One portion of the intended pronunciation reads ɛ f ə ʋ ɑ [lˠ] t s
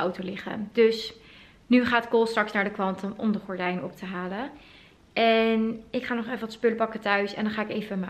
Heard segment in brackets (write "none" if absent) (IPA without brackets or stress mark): none